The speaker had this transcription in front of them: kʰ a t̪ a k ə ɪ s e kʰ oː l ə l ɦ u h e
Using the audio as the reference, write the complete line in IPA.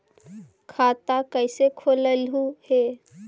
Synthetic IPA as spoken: kʰ a t̪ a k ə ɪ s e kʰ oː l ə l ɦ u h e